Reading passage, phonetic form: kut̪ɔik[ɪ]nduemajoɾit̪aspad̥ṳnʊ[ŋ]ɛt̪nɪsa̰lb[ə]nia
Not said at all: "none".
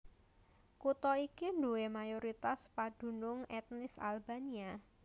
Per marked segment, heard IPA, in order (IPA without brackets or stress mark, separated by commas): i, ŋ, a